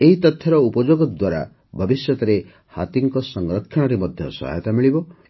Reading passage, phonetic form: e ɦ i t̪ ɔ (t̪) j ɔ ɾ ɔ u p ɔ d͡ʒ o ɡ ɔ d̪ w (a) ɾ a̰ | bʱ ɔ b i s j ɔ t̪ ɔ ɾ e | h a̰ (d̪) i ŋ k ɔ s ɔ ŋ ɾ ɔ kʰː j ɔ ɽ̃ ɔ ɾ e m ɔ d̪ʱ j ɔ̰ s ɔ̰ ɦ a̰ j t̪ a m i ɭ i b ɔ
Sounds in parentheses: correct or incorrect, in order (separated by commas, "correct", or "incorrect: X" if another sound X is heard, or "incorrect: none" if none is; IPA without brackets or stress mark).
incorrect: t̪ʰ, correct, incorrect: t̪